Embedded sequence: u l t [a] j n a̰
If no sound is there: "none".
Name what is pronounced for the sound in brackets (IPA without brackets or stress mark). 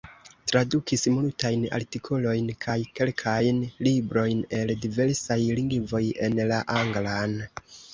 a